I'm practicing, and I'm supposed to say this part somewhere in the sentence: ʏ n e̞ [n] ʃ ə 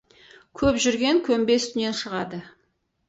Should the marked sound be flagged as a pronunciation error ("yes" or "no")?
no